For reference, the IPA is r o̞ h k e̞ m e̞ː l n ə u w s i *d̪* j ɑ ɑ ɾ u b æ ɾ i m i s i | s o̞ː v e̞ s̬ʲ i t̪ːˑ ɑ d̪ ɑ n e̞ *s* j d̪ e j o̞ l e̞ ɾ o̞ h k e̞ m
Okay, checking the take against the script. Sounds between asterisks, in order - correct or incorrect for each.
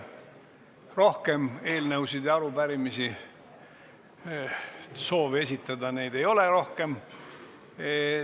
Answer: correct, incorrect

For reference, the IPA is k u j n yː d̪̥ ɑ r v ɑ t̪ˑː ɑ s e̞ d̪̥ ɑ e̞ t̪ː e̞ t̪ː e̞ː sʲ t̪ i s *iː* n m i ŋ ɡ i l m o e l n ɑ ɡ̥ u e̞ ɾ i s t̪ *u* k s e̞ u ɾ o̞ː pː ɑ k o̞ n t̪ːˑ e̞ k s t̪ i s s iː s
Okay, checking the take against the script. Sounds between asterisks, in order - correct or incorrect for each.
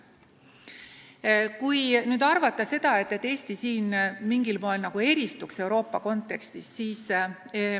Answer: correct, correct

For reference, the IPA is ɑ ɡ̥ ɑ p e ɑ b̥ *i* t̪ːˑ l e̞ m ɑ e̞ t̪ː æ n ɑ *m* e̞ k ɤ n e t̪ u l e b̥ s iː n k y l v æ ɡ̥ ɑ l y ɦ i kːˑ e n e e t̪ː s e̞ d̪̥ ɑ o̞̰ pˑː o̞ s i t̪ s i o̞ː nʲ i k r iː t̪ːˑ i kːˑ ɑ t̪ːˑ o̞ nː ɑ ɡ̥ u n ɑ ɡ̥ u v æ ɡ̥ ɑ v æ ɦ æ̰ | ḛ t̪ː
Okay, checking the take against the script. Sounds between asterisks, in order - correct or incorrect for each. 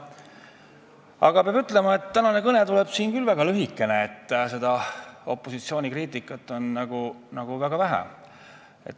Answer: incorrect, incorrect

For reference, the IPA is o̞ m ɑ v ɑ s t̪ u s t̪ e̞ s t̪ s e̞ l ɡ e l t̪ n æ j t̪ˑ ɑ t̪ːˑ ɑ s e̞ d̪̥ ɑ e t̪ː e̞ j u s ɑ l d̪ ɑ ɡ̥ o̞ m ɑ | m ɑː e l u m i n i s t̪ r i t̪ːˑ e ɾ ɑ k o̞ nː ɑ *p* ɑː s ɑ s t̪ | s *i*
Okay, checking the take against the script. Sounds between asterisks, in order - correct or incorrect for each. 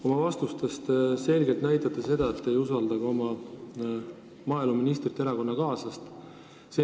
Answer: incorrect, incorrect

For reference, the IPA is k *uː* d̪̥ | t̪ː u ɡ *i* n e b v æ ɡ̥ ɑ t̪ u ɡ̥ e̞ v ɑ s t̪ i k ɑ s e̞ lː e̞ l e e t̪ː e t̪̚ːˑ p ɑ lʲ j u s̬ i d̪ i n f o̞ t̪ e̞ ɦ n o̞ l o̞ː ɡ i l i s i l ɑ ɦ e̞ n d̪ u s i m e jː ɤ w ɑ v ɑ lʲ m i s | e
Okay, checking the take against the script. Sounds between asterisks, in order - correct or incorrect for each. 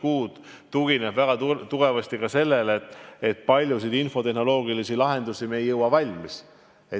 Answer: correct, correct

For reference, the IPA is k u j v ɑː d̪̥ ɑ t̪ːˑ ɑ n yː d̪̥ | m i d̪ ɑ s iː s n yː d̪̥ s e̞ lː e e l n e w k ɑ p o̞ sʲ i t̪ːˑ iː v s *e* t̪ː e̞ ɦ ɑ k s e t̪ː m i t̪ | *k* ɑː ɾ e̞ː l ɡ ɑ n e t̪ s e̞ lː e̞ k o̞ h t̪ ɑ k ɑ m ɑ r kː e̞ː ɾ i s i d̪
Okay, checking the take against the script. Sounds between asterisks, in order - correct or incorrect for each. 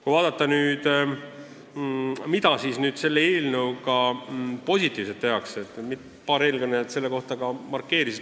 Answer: correct, incorrect

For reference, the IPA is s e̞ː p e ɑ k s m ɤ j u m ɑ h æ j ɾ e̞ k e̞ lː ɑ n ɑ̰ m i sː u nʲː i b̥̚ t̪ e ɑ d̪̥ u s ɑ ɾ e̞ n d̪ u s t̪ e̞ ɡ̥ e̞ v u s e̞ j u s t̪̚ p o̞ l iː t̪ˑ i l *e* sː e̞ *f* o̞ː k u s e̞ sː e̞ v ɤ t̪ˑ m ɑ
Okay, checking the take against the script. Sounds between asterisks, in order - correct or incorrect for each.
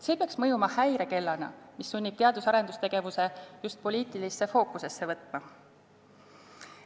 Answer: incorrect, correct

